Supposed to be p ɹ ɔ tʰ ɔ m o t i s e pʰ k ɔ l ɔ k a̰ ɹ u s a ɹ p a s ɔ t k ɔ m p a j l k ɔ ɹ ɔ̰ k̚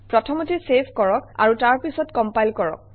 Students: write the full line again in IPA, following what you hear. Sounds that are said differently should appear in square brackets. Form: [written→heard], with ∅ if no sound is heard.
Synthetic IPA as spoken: p ɹ ɔ tʰ ɔ m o t i s e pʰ k ɔ [l→ɹ] ɔ k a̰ ɹ u [s→t] a ɹ p [a→i] s ɔ t k ɔ m p a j l k ɔ ɹ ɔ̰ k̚